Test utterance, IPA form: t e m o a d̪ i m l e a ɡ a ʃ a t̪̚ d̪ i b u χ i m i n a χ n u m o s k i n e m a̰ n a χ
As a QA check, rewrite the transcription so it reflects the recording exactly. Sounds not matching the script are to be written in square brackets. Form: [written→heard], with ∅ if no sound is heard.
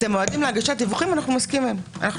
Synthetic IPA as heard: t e m o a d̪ i m l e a ɡ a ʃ a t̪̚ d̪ i [b→v] u χ i m [i→a] n a χ n u m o s k i [n→m] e m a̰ n a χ